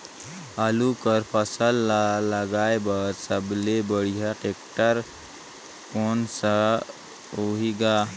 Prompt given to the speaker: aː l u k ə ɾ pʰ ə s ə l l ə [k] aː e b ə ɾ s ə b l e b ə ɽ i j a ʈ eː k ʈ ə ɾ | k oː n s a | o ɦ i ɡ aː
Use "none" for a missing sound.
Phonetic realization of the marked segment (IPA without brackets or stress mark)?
ɡ